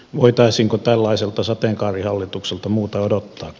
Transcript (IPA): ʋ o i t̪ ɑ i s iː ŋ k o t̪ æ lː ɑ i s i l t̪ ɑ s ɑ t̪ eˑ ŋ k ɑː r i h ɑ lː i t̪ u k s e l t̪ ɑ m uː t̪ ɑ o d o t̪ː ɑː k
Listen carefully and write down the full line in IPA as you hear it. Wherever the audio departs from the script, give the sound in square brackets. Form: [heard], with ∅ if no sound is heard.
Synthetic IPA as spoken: ʋ o i t̪ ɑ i s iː ŋ k o t̪ æ lː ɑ i s [e] l t̪ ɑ s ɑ t̪ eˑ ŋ k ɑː r i h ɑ lː i t̪ u k s e l t̪ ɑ m uː t̪ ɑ o d o t̪ː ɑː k